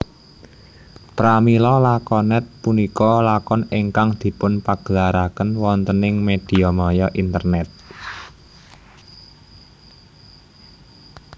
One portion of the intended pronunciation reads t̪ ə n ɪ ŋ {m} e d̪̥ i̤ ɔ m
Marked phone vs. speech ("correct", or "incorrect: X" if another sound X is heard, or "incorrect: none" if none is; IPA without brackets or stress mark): correct